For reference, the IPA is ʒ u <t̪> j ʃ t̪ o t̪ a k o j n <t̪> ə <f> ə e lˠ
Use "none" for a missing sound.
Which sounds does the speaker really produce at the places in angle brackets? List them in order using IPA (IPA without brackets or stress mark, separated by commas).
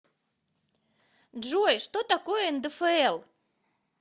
none, d̪, f